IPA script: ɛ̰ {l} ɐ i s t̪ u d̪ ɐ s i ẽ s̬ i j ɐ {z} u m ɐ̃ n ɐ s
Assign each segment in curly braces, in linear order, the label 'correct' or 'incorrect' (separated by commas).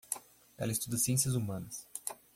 correct, correct